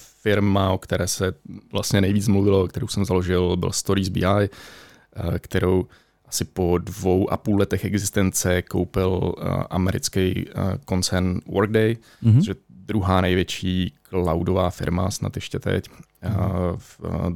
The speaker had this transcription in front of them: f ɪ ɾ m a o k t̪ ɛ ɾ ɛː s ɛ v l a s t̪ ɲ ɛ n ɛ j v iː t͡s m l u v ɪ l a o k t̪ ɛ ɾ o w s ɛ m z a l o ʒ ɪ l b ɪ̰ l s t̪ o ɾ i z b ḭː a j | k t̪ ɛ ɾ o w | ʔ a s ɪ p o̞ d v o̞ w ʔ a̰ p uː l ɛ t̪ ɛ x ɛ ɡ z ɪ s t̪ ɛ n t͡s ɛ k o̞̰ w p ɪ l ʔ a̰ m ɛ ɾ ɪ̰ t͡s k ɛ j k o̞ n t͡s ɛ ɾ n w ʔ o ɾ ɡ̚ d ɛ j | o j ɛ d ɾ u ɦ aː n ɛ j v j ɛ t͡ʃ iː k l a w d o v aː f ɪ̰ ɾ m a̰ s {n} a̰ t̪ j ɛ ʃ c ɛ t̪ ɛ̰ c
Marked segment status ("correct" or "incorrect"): correct